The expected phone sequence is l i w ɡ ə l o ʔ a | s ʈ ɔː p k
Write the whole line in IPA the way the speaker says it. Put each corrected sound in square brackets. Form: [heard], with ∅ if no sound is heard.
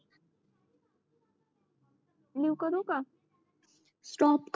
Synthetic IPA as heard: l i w [k] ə [ɾ] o [k] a | s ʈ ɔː p k